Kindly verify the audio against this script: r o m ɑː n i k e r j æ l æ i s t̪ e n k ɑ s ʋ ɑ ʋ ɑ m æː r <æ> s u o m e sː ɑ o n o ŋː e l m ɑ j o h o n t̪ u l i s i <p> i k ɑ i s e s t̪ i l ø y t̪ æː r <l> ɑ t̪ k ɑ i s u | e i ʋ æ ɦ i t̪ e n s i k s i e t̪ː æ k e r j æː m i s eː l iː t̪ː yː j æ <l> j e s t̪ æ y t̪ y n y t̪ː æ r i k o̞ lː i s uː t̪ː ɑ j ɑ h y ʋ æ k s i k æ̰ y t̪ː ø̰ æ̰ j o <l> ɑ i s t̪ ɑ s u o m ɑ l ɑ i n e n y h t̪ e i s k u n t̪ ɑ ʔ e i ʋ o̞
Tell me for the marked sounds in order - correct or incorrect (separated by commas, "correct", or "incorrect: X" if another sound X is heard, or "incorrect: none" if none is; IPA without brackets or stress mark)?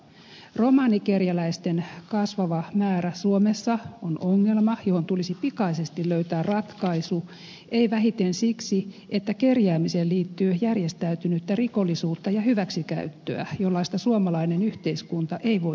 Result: correct, correct, incorrect: r, incorrect: r, incorrect: lː